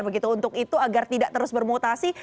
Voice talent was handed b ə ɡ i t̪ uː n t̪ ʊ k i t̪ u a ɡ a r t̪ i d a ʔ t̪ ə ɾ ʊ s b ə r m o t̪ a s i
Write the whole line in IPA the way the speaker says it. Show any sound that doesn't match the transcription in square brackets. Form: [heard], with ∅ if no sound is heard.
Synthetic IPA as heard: b ə ɡ i t̪ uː n t̪ ʊ k i t̪ u a ɡ a r t̪ i d a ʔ t̪ ə ɾ ʊ s b ə r m o t̪ a s i